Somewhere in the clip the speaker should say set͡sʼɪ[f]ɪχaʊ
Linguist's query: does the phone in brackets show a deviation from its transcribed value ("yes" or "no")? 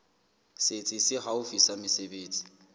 yes